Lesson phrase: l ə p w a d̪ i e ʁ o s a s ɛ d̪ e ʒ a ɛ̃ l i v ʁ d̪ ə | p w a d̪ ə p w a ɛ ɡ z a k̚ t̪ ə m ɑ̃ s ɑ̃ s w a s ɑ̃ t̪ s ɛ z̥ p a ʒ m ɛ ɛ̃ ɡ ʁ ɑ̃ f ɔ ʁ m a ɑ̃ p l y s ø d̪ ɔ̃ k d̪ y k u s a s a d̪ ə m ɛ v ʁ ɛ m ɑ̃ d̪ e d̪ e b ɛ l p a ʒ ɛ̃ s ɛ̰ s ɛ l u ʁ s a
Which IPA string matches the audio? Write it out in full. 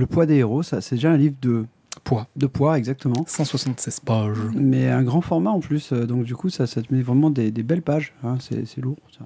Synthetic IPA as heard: l ə p w a d̪ e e ʁ o s a s ɛ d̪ e ʒ a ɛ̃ l i v ʁ d̪ ə | p w a d̪ ə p w a ɛ ɡ z a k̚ t̪ ə m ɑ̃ s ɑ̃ s w a s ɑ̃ t̪ s ɛ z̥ p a ʒ m ɛ ɛ̃ ɡ ʁ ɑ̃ f ɔ ʁ m a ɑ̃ p l y s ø d̪ ɔ̃ k d̪ y k u s a s a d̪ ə m ɛ v ʁ ɛ m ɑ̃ d̪ e d̪ e b ɛ l p a ʒ ɛ̃ s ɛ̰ s ɛ l u ʁ s a